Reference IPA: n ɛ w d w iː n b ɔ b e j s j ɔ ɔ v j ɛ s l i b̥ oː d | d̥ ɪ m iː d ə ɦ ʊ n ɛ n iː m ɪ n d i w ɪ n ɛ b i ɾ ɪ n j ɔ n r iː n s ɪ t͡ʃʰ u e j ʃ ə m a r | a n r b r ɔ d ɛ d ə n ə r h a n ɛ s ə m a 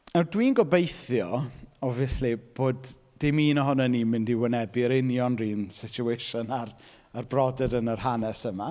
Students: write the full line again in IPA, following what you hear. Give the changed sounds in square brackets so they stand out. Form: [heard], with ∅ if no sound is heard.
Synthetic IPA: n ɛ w d w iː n [ɡ] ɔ b e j [θ] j ɔ ɔ v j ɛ s l i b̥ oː d | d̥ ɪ m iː [n] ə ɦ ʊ n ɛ n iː m ɪ n d i w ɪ n ɛ b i ɾ ɪ n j ɔ n r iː n s ɪ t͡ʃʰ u e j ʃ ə [n] a r | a [∅] r b r ɔ d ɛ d ə n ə r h a n ɛ s ə m a

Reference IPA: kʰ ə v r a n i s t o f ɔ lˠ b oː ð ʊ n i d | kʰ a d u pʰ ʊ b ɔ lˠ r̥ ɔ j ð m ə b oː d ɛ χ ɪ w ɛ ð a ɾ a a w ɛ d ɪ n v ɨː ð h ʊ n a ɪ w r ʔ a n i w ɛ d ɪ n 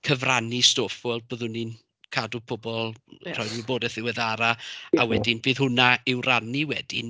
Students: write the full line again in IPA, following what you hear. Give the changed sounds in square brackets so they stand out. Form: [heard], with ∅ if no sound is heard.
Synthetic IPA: kʰ ə v r a n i s t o f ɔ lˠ b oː ð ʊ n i [n] | kʰ a d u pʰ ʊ b ɔ lˠ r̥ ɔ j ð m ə b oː d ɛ [θ] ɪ w ɛ ð a ɾ a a w ɛ d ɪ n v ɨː ð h ʊ n a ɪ w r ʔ a n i w ɛ d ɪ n

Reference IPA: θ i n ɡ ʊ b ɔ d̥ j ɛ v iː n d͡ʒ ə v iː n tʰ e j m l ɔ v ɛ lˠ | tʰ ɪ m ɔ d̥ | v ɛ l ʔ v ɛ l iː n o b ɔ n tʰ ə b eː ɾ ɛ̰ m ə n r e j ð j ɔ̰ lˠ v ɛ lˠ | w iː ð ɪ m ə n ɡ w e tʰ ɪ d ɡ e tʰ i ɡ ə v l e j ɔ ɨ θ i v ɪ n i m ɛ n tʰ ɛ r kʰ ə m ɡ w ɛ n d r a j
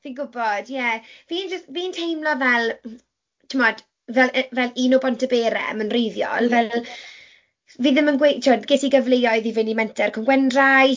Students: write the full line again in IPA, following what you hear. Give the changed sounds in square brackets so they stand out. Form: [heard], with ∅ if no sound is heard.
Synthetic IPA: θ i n ɡ ʊ b ɔ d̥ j ɛ v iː n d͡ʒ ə v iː n tʰ e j m l ɔ v ɛ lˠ | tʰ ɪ m ɔ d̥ | v ɛ l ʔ v ɛ l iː n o b ɔ n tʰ ə b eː ɾ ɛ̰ m ə n r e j ð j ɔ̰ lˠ v ɛ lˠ | [v] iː ð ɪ m ə n ɡ w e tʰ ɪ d ɡ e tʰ i ɡ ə v l e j ɔ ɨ [ð] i v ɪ n i m ɛ n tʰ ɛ r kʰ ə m ɡ w ɛ n d r a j

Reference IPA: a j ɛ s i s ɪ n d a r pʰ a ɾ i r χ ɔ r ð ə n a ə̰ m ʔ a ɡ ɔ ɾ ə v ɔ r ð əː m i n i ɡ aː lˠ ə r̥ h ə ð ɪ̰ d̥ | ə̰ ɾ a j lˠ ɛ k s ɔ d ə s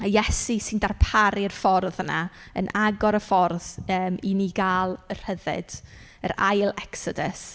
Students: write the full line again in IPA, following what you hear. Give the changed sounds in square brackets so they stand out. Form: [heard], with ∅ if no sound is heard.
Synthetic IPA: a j ɛ s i s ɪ n d a r pʰ a ɾ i r [f] ɔ r ð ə n a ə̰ [n] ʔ a ɡ ɔ ɾ ə [f] ɔ r ð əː m i n i ɡ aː lˠ ə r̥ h ə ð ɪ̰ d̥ | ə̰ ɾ a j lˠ ɛ k s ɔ d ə s

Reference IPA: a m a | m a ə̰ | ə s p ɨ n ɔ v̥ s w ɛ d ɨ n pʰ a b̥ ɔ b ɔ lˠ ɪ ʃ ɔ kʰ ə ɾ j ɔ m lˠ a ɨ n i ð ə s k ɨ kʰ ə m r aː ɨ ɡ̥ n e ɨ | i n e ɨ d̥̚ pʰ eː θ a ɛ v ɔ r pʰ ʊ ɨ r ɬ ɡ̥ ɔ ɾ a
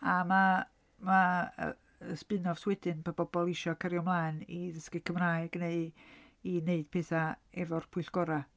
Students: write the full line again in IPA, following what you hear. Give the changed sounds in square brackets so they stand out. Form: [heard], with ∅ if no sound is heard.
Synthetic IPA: a m a | m a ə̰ | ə s p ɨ n ɔ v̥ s w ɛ d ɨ n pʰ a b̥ ɔ b ɔ lˠ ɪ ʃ ɔ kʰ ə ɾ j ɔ m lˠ a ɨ n i ð ə s k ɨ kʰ ə m r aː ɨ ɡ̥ n e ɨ | i n e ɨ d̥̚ pʰ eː θ a ɛ v ɔ r pʰ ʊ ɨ [∅] ɬ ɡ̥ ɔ ɾ a

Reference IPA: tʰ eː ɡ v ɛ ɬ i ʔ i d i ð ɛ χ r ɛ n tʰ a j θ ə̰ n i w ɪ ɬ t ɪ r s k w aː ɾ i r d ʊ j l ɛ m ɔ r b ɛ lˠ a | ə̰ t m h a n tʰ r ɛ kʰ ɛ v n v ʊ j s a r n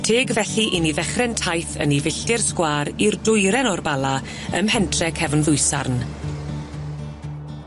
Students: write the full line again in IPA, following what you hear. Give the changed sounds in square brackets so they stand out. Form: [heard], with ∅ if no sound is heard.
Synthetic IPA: tʰ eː ɡ v ɛ ɬ i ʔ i [n] i ð ɛ χ r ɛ n tʰ a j θ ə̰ n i [v] ɪ ɬ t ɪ r s k w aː ɾ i r d ʊ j [ɾ] ɛ [n] ɔ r b [a] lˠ a | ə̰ [∅] m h [ɛ] n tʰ r ɛ kʰ ɛ v n [ð] ʊ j s a r n

